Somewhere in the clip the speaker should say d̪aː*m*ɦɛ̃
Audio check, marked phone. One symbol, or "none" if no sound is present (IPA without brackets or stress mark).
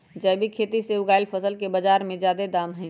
m